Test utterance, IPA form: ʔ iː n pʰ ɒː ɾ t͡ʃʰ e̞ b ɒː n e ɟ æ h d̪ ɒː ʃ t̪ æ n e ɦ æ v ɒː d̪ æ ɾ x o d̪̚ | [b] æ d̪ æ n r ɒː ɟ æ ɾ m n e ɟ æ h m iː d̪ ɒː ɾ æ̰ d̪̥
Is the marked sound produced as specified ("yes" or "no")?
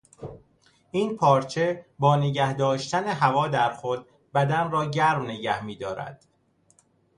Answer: yes